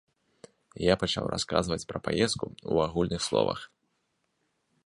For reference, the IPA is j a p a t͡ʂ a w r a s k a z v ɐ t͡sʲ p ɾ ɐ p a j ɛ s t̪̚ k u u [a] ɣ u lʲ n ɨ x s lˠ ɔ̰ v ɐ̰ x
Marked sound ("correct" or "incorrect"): correct